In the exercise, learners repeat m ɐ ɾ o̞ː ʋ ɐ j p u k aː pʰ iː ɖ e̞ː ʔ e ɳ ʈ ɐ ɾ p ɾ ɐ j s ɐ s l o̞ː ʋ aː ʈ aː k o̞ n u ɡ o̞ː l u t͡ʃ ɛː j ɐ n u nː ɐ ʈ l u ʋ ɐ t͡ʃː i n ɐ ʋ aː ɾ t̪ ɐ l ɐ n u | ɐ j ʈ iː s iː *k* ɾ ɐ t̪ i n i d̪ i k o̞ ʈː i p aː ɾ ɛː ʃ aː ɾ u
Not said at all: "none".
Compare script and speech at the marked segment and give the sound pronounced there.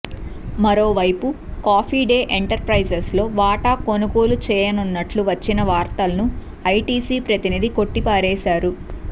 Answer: p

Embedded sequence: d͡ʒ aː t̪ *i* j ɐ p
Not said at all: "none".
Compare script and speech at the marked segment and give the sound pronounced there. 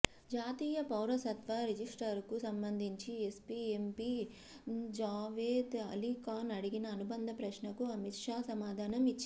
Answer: iː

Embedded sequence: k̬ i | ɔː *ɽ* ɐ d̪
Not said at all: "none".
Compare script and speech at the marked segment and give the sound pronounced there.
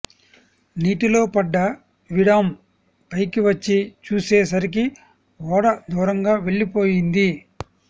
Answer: ɽ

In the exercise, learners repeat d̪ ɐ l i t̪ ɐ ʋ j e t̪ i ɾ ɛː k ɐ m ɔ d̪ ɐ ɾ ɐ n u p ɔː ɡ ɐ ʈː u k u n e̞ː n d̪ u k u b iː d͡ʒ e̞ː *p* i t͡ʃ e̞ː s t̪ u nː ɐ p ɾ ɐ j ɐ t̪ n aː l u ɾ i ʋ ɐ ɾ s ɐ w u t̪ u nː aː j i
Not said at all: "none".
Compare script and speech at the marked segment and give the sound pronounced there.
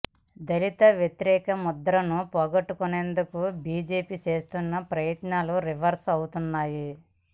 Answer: p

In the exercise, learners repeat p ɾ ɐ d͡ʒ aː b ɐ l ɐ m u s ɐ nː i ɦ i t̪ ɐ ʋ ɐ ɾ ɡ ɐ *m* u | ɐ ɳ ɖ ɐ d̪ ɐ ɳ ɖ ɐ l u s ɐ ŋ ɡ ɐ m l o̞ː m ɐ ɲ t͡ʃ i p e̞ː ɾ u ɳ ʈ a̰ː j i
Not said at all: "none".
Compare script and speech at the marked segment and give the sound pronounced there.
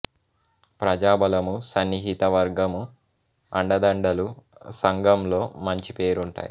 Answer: m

